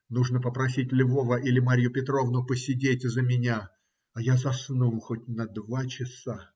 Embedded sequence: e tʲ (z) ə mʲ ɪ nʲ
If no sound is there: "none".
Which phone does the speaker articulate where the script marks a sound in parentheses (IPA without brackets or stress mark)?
z